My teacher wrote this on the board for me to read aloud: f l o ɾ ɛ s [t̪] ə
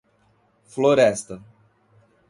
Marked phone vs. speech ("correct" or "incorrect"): correct